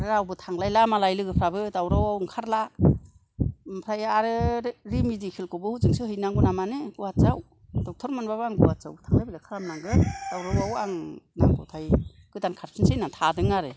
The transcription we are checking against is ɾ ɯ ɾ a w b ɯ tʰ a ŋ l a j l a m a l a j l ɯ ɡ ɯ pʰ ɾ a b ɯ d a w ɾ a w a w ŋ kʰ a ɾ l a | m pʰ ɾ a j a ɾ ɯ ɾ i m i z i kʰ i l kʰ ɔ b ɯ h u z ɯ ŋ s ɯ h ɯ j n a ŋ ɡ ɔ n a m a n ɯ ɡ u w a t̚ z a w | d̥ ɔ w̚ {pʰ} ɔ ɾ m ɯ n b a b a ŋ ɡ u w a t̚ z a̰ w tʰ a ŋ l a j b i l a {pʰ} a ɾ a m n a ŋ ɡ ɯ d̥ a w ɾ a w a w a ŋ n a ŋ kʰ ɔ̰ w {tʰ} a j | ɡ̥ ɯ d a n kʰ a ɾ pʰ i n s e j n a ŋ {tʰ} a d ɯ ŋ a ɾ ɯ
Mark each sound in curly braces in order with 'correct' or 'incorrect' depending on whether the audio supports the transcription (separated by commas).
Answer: incorrect, incorrect, correct, correct